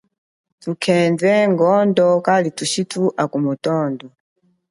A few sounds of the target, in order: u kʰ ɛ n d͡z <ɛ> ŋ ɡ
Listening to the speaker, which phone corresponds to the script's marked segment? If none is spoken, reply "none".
ɛ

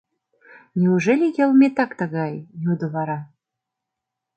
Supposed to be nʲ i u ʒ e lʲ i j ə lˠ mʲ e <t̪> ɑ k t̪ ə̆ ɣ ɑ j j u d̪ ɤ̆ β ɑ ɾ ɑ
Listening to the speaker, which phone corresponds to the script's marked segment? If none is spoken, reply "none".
t̪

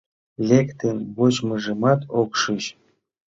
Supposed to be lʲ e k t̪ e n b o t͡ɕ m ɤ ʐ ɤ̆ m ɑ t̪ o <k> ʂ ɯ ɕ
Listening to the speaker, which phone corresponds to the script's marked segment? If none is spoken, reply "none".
k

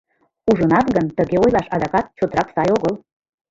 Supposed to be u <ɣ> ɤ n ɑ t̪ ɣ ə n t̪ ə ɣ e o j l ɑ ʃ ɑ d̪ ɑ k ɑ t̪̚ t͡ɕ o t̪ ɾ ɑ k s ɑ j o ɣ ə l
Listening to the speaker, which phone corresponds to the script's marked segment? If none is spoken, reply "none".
ʒ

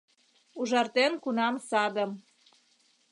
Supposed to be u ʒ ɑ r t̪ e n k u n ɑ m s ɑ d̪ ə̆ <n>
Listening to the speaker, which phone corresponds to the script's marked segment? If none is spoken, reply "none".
m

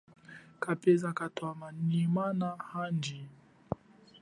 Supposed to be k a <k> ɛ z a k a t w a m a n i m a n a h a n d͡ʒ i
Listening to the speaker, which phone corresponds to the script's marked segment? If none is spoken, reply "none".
p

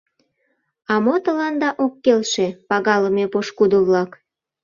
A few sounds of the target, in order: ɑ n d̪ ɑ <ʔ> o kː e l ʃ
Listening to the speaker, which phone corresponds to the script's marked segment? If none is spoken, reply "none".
ʔ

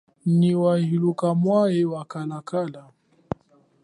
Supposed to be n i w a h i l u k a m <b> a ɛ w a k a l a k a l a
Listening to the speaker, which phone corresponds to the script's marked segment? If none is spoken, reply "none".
w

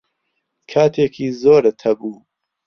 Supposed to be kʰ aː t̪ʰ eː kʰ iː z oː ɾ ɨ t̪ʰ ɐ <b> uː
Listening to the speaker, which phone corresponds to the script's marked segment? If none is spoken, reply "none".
b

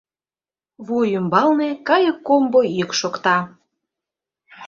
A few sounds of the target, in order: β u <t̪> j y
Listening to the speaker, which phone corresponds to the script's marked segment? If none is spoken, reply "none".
none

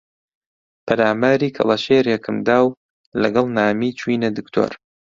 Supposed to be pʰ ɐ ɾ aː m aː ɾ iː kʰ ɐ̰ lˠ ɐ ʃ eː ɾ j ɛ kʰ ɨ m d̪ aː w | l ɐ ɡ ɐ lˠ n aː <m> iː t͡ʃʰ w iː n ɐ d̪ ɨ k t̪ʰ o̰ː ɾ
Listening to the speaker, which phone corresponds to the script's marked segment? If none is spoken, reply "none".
m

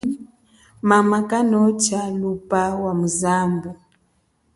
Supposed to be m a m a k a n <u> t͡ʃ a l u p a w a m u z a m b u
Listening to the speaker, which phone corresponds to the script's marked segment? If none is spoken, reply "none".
ɔ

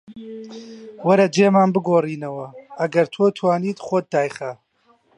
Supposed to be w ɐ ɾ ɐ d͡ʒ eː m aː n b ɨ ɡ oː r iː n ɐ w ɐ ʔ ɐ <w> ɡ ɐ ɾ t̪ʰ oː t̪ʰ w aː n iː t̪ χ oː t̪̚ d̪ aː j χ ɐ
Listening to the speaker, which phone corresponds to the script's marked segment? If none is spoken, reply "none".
none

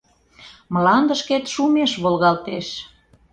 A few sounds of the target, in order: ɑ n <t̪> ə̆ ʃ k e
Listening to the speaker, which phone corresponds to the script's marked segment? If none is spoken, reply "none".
d̪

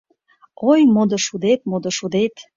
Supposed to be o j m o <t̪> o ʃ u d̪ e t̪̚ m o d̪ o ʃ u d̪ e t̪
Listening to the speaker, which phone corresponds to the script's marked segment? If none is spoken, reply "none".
d̪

